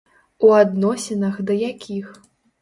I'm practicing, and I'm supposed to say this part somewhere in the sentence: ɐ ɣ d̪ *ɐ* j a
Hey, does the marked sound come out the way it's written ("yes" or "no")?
yes